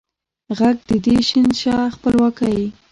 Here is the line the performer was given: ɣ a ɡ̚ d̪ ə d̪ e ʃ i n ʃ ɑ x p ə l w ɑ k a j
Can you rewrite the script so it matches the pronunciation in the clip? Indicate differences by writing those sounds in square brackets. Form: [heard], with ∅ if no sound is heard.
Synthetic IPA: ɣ a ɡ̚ d̪ ə d̪ e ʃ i n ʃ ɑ x p ə l w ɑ k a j